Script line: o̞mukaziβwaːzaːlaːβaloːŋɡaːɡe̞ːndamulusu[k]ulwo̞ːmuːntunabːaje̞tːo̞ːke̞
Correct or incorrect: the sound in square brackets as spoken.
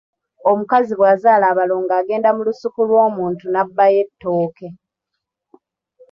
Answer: correct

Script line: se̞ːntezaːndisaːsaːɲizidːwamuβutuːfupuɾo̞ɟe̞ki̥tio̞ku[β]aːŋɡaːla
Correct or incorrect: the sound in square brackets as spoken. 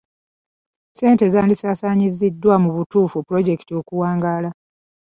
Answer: incorrect: w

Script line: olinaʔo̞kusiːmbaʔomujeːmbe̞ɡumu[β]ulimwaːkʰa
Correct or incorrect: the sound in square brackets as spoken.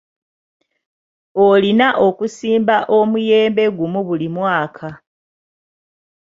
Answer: correct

